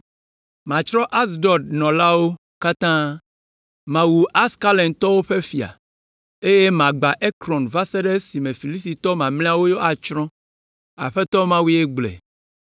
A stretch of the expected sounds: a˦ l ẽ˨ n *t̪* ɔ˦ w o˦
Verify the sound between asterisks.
correct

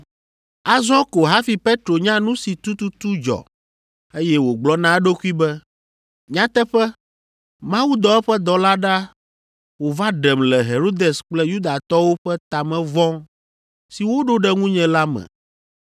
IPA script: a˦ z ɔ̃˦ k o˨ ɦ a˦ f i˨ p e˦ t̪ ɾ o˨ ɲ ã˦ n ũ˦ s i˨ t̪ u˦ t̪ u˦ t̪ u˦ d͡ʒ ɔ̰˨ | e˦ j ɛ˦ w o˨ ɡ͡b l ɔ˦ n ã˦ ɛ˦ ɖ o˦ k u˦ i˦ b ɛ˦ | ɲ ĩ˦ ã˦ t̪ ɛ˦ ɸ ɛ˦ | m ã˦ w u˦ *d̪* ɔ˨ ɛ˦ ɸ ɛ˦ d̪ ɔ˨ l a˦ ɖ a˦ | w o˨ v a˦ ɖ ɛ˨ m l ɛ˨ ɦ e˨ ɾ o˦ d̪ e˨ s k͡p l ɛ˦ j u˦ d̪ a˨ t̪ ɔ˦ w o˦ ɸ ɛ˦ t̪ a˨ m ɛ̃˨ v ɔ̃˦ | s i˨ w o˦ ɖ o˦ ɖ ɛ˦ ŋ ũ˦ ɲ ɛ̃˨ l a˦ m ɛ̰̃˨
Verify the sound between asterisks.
correct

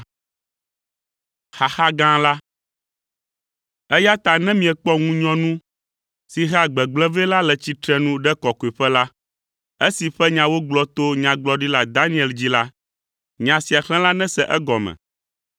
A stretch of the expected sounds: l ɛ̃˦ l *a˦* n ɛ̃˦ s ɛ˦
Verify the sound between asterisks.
correct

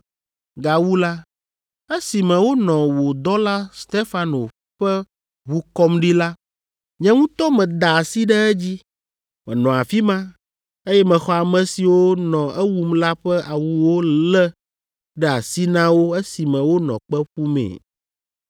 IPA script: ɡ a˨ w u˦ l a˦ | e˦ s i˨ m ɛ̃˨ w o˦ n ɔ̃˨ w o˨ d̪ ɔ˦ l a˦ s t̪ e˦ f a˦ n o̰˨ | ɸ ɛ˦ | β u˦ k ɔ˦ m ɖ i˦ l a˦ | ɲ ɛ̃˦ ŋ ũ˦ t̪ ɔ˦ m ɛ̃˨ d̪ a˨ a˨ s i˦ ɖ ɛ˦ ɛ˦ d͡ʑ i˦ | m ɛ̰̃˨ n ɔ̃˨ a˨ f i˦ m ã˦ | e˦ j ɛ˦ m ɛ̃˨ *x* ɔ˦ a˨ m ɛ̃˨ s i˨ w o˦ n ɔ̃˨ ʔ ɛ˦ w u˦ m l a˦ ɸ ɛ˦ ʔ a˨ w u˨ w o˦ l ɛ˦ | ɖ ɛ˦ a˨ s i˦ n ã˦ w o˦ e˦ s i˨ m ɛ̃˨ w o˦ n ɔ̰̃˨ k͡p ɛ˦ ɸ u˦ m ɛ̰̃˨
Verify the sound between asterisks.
correct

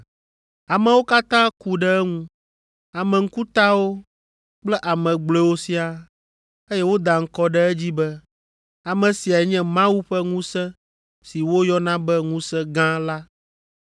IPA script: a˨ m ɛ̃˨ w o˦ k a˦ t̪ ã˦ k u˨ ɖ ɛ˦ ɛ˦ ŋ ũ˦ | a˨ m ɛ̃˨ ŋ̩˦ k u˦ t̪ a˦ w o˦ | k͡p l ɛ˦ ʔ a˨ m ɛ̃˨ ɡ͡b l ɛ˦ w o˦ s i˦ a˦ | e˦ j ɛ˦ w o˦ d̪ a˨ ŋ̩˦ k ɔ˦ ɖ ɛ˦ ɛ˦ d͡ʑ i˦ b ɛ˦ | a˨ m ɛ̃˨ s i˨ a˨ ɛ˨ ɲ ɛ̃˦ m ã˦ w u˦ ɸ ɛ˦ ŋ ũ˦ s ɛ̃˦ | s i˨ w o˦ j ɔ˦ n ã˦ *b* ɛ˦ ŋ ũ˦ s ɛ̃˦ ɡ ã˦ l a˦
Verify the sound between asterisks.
correct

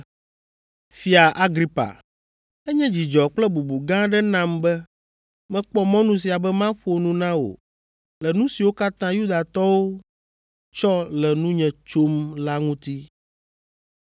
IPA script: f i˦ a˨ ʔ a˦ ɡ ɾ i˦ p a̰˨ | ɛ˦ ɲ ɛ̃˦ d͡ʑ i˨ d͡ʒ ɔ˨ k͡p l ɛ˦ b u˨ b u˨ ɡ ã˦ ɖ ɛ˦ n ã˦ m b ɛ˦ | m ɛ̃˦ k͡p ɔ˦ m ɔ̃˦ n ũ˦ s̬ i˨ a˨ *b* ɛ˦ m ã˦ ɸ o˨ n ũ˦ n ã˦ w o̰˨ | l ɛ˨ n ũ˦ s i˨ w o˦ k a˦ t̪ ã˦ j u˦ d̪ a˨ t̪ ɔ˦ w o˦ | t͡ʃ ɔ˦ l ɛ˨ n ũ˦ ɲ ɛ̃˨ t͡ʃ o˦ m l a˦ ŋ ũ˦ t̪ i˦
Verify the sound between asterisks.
correct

